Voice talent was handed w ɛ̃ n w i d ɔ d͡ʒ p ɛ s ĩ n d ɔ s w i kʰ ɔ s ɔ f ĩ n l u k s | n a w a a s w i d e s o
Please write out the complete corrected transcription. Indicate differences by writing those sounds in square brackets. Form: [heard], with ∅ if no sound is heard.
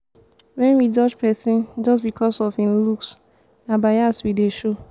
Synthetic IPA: w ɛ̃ n w i [d͡ʒ] ɔ d͡ʒ p ɛ s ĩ n [d͡ʒ] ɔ s [b] i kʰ ɔ s ɔ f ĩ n l u k s | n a [b] a a s w i d e [ʃ] o